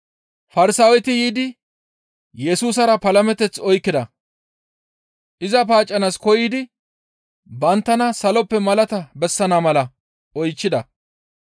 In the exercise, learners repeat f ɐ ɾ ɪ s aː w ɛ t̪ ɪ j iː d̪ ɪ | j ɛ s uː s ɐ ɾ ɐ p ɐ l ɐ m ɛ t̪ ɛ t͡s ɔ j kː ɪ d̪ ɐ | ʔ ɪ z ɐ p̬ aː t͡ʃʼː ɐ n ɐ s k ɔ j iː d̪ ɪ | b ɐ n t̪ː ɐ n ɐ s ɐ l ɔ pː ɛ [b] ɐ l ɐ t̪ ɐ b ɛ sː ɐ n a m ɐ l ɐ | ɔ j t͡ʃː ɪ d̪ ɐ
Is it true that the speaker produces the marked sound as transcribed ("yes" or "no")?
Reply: no